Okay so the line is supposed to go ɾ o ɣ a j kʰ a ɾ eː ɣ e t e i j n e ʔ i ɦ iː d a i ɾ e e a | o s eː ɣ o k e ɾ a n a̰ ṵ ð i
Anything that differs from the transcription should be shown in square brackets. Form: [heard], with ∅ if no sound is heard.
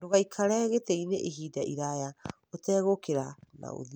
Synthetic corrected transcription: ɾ o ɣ a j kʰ a ɾ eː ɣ e t e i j n e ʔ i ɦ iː d a i ɾ [a] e a | o [t] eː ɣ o k e ɾ a n a̰ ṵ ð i